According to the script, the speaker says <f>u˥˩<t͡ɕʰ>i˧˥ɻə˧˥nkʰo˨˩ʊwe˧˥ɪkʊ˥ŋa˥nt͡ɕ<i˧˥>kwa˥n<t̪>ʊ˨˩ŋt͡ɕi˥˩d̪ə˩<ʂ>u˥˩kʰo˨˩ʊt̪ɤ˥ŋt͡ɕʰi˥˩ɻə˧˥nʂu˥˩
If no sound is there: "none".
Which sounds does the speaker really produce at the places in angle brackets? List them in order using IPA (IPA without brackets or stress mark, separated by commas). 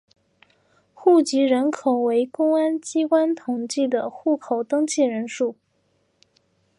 x, t͡ɕ, i˥, t̪ʰ, x